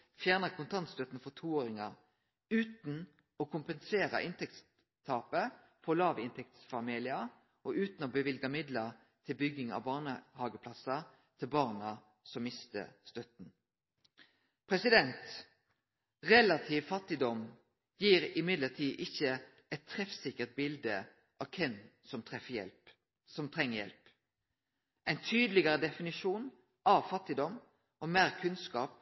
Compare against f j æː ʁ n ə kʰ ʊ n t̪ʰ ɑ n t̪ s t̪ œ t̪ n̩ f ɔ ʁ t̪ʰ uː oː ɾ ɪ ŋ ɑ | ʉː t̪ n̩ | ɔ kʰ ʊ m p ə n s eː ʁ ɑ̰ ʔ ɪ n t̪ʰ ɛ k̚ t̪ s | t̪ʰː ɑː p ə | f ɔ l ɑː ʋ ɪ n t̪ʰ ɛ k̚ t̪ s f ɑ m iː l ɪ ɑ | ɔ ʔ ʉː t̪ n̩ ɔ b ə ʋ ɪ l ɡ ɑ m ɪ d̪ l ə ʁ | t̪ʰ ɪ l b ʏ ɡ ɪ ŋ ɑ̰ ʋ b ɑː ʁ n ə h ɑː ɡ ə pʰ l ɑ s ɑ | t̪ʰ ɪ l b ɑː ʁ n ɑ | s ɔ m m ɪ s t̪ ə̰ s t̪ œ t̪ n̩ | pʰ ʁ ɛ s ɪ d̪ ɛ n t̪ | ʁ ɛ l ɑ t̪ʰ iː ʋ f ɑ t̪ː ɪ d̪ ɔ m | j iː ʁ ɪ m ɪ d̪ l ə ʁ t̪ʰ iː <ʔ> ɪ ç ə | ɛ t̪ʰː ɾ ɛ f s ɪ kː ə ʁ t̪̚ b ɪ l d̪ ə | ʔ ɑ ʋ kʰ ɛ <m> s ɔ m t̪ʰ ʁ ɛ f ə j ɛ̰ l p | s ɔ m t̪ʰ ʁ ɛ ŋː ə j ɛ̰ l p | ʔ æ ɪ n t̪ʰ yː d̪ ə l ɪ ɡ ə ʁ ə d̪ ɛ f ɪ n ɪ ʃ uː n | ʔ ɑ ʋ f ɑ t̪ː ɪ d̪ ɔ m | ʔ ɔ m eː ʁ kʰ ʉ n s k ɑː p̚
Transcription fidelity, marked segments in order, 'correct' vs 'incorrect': correct, incorrect: n

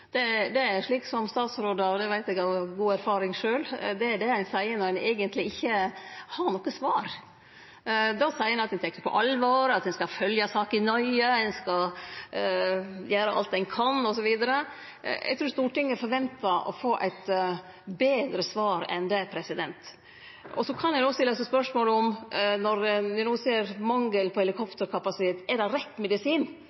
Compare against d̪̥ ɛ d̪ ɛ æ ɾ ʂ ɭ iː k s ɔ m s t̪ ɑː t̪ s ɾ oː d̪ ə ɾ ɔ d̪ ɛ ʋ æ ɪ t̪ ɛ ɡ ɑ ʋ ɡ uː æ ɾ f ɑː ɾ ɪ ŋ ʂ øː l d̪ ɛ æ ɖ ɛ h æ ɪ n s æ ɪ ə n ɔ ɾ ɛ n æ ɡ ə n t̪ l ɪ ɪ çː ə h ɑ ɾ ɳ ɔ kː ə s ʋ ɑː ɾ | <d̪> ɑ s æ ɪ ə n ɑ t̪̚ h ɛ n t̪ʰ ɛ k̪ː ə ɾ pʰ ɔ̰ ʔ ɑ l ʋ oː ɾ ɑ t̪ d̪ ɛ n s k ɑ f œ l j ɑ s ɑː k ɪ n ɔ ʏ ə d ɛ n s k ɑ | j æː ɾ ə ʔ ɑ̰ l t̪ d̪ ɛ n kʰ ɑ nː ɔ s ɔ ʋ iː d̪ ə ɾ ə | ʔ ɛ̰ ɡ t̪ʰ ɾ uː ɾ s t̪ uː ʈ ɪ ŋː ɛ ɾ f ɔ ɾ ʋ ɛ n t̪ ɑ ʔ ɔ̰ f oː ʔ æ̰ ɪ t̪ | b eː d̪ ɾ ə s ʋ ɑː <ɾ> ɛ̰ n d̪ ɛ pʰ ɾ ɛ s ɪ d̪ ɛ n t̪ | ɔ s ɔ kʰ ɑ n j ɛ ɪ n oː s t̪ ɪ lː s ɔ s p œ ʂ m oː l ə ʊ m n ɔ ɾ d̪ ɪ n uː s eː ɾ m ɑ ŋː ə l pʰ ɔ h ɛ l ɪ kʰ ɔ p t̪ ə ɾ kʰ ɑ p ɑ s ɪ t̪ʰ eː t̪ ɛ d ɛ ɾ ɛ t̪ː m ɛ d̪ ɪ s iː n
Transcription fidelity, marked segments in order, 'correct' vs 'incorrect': correct, correct

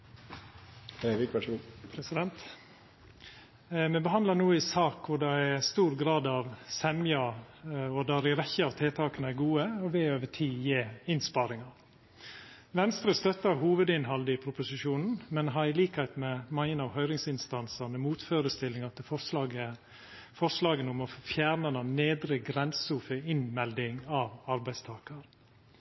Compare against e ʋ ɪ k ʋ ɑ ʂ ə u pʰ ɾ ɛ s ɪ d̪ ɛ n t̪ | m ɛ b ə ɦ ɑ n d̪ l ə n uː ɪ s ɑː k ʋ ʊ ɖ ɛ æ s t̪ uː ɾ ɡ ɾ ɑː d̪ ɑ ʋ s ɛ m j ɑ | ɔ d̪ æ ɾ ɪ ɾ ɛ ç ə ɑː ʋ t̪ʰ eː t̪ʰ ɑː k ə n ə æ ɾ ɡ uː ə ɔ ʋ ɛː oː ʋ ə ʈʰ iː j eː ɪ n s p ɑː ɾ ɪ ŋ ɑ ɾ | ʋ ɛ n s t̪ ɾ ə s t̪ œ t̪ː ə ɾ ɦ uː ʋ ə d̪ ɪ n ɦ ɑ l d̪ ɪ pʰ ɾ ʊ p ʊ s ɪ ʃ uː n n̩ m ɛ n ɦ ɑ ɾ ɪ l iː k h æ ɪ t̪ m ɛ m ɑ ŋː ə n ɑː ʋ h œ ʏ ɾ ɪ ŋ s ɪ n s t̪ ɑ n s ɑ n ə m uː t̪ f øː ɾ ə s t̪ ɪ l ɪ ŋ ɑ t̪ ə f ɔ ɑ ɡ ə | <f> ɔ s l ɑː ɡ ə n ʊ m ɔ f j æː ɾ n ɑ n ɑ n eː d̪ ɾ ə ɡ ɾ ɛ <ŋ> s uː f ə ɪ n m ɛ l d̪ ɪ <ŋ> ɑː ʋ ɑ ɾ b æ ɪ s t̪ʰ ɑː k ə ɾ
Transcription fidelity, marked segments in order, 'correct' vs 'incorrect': correct, incorrect: n, correct

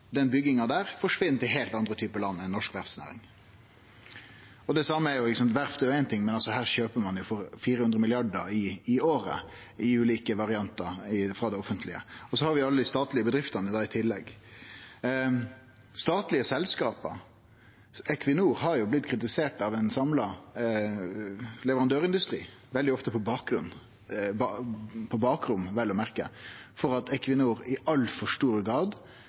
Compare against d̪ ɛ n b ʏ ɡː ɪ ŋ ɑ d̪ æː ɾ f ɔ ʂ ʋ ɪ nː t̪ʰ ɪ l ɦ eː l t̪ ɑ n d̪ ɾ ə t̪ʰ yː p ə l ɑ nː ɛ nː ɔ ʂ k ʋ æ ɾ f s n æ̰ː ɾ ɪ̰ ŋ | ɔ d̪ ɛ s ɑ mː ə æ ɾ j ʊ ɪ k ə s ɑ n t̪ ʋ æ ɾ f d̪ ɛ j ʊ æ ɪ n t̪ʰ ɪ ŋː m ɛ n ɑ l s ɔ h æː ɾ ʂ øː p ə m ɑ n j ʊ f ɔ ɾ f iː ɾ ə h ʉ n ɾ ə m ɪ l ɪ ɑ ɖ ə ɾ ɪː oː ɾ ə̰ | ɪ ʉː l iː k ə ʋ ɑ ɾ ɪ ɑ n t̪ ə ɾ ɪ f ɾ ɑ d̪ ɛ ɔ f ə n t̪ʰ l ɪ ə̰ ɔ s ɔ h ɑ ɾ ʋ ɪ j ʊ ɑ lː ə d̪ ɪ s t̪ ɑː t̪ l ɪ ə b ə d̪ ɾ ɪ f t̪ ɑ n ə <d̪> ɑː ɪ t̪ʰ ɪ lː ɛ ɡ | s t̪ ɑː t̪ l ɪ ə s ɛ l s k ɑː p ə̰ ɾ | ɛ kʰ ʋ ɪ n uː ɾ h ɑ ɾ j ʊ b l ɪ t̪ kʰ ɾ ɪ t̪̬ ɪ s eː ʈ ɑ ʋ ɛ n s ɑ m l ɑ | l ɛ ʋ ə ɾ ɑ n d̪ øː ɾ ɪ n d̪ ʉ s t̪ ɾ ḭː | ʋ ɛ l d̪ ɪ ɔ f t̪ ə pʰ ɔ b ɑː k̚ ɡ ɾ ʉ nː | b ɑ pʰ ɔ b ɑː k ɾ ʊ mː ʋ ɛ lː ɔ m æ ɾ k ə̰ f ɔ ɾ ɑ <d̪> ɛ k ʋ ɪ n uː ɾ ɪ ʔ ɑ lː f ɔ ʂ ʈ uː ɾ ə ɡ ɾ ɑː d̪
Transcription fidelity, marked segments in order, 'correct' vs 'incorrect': correct, incorrect: t̪

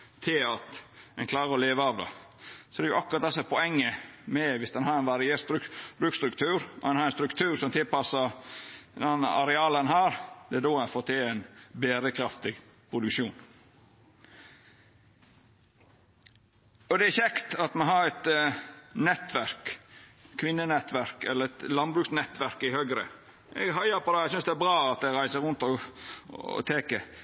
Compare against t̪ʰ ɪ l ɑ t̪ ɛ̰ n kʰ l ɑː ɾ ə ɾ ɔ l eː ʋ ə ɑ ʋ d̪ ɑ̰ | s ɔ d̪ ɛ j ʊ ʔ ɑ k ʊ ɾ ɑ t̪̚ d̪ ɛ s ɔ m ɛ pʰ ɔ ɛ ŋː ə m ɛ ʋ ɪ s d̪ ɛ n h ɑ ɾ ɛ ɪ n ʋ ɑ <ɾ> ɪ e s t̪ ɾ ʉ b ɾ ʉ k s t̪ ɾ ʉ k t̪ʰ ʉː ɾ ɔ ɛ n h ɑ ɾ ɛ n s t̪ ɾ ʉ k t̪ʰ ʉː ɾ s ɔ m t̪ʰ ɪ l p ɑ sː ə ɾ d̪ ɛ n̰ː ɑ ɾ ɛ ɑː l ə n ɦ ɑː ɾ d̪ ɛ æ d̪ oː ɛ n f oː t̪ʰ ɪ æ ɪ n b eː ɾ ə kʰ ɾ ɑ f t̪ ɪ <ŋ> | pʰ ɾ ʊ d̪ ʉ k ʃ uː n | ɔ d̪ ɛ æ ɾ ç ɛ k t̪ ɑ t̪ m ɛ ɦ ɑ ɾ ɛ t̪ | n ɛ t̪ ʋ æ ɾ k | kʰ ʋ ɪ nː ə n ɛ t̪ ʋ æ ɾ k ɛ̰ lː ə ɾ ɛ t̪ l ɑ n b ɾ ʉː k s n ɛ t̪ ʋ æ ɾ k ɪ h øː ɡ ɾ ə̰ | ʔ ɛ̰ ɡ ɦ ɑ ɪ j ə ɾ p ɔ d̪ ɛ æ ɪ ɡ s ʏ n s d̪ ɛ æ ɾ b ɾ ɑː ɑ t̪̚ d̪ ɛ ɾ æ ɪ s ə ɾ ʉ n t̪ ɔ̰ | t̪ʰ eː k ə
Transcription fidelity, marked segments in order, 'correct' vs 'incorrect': correct, incorrect: ɡ

